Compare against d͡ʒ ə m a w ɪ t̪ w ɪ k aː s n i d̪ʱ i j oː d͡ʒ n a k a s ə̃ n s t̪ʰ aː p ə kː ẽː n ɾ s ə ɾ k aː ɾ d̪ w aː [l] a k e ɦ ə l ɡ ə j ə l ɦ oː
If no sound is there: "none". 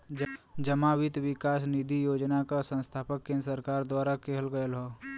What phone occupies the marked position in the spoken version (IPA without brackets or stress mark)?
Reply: ɾ